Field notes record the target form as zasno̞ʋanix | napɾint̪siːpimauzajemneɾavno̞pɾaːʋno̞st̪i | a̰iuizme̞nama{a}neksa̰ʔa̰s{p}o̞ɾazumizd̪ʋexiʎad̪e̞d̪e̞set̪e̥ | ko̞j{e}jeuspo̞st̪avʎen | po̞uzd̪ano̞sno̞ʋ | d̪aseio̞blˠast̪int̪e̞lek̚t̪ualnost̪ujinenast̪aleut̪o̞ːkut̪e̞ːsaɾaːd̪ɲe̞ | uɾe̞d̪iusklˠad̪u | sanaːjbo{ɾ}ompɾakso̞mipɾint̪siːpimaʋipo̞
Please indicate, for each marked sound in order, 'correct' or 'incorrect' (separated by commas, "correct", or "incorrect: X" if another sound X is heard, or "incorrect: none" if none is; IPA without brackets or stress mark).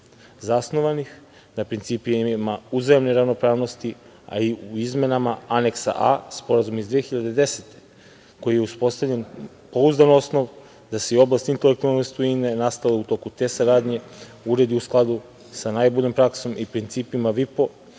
correct, correct, incorrect: i, incorrect: ʎ